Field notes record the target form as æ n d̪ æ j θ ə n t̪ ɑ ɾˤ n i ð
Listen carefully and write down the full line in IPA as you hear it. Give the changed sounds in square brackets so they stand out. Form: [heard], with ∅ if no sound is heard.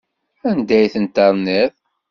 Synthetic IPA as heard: æ n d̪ æ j θ ə n t̪ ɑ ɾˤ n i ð